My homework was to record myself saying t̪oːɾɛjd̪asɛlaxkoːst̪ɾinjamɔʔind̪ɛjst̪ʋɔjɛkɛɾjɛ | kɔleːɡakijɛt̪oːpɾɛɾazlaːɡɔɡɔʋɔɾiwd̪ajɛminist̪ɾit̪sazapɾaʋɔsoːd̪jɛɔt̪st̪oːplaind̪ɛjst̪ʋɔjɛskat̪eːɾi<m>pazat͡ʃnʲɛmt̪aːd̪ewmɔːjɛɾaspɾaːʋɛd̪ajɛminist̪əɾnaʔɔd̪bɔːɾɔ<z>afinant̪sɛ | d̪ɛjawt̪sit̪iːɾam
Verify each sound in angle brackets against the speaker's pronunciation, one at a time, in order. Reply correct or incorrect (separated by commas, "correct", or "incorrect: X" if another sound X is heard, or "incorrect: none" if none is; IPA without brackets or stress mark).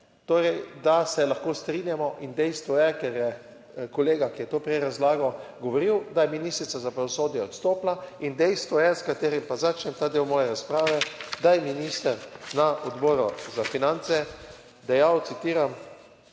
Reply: correct, correct